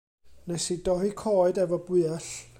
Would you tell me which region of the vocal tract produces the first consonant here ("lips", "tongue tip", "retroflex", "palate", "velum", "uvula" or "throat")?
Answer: tongue tip